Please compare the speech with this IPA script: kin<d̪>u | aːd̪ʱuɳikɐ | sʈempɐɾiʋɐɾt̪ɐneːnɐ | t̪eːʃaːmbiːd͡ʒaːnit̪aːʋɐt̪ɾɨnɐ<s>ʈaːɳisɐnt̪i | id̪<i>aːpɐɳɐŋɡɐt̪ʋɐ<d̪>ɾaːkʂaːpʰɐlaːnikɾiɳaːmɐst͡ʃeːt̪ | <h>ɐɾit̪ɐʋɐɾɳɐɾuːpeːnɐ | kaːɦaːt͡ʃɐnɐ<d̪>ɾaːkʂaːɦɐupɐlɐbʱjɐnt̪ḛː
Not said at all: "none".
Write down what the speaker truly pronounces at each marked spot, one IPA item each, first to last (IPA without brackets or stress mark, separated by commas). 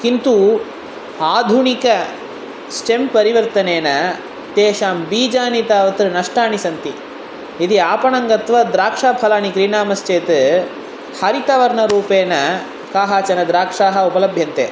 t̪, ʂ, i, d̪, h, d̪